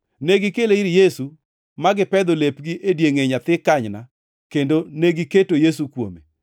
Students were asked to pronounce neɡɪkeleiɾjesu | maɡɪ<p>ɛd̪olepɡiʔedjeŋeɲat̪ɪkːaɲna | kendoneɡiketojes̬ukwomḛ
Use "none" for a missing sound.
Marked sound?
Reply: p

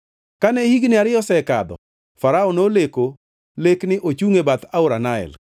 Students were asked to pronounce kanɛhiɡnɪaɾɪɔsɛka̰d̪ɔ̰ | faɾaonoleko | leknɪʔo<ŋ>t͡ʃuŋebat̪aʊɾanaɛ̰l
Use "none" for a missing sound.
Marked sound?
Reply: none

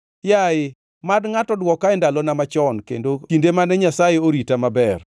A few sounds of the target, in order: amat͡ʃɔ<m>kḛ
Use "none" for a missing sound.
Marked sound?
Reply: n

